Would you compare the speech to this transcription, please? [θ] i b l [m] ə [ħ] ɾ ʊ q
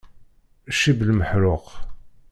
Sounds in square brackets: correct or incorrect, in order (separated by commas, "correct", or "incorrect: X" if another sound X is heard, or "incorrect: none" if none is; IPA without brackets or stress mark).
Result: incorrect: ʃ, correct, correct